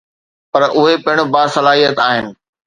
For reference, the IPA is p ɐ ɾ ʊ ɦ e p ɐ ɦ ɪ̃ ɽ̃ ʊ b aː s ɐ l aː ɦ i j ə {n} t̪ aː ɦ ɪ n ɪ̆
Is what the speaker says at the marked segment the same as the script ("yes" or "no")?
no